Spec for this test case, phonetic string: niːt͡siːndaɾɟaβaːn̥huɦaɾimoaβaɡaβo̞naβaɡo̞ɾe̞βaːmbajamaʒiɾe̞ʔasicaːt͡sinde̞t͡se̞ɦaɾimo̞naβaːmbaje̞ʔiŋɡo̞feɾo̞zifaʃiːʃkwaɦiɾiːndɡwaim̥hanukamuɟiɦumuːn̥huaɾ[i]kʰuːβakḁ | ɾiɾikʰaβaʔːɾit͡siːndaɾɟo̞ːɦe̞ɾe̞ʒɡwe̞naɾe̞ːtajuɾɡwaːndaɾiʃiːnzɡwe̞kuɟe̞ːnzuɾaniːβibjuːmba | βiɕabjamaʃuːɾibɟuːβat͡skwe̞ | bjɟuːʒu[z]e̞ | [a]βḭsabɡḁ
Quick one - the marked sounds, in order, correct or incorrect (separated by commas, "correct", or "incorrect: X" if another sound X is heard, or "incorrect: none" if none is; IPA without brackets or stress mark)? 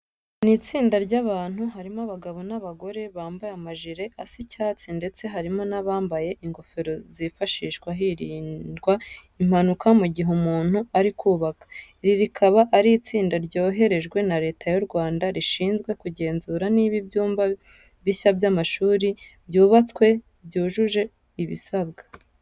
correct, incorrect: ʒ, incorrect: i